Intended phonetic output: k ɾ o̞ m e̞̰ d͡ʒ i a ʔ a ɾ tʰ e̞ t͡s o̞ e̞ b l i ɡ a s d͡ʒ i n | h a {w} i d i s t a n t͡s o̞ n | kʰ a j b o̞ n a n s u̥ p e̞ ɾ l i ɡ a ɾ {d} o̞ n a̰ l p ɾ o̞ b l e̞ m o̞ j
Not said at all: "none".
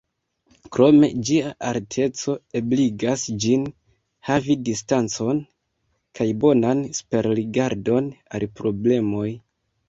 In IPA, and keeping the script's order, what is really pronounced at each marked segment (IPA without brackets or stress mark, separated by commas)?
v, d